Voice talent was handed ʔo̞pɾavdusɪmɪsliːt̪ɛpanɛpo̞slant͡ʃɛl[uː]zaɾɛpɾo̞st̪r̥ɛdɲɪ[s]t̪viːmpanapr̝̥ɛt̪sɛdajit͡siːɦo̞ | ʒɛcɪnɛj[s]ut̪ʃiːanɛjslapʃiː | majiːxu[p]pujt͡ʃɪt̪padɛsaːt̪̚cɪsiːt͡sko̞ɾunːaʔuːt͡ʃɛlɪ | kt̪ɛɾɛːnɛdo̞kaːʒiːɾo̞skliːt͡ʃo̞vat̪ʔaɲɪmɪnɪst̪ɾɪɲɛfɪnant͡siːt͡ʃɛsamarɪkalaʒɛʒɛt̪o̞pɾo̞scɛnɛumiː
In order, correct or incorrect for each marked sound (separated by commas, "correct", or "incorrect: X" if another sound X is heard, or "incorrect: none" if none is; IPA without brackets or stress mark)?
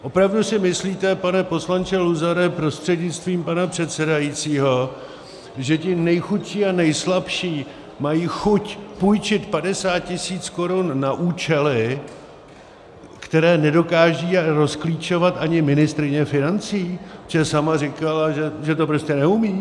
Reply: incorrect: u, incorrect: t͡s, incorrect: x, incorrect: c